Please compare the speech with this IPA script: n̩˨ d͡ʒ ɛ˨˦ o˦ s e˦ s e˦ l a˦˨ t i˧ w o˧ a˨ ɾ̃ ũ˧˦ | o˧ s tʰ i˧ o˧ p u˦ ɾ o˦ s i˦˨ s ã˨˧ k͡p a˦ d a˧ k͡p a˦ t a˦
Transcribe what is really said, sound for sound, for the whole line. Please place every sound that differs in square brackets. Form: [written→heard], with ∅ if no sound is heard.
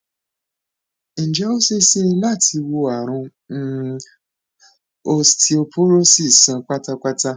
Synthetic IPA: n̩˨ d͡ʒ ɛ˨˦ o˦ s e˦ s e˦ l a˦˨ t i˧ w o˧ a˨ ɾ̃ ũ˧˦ | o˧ s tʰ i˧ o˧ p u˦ ɾ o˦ s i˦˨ s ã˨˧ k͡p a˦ [d→t] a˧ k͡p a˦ t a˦